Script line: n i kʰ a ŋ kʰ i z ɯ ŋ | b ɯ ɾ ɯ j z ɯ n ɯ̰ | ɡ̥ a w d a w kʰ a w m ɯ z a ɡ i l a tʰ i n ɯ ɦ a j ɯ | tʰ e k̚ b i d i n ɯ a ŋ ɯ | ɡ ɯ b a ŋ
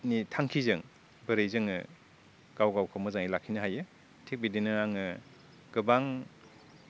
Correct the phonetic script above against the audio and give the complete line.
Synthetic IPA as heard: n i tʰ a ŋ kʰ i z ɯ ŋ | b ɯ ɾ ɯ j z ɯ ŋ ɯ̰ | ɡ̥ a w ɡ a w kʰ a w m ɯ z a ŋ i l a kʰ i n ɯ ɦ a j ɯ | tʰ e k̚ b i d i n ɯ a ŋ ɯ | ɡ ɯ b a ŋ